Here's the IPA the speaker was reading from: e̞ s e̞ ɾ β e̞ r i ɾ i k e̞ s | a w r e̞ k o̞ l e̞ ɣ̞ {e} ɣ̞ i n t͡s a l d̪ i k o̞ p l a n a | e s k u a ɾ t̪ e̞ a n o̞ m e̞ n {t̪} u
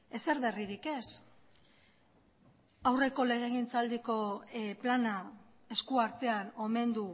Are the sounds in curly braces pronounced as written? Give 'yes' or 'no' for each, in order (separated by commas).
yes, no